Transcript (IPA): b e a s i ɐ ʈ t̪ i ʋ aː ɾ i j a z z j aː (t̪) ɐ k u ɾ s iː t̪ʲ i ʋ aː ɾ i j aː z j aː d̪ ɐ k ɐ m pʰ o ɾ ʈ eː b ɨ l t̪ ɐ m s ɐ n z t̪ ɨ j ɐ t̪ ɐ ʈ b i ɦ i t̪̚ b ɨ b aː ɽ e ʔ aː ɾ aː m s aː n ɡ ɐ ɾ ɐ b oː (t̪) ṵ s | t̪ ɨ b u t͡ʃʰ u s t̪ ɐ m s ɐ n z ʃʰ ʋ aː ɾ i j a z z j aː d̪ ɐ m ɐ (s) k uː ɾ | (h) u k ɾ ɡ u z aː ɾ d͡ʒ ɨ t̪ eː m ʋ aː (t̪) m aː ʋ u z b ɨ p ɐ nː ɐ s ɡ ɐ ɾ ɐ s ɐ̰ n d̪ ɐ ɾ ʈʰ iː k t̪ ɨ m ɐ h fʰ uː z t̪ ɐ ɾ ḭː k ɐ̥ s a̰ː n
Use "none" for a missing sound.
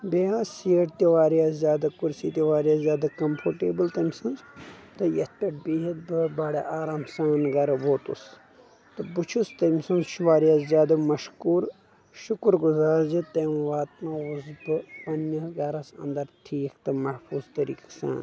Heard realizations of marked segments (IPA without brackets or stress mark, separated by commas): d̪, t̪, ʃ, ʃ, t̪